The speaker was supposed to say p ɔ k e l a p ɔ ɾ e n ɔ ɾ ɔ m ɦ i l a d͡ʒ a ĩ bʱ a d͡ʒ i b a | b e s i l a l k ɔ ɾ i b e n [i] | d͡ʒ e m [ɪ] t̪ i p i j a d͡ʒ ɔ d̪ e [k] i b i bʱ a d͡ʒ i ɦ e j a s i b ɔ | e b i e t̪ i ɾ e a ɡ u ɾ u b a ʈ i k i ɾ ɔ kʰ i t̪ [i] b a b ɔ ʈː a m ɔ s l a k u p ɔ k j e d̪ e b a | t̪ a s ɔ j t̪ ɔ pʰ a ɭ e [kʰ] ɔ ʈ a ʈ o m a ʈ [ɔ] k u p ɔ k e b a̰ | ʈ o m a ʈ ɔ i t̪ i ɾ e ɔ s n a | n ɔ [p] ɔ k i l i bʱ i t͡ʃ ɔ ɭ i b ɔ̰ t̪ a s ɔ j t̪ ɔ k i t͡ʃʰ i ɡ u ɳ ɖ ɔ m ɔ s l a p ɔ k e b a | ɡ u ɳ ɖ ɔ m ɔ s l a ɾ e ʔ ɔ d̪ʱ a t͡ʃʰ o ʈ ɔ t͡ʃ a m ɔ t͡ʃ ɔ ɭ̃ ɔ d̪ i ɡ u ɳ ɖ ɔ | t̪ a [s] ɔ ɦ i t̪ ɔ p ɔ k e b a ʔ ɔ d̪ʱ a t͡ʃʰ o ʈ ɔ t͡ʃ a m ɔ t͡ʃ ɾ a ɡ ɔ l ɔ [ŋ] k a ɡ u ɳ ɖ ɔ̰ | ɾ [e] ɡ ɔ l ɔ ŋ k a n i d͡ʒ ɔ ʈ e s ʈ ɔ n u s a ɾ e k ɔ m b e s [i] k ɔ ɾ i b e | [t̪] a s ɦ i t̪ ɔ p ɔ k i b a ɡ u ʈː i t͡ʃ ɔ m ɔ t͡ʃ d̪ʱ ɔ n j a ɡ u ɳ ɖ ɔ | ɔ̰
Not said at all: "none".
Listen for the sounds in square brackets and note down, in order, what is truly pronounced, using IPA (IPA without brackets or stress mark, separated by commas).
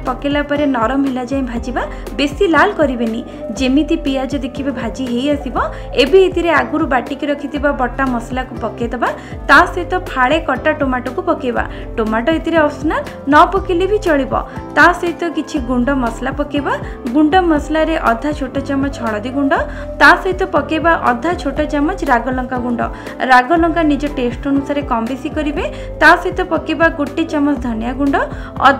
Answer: i, i, kʰ, i, k, ɔ, p, s, ŋ, a, i, t̪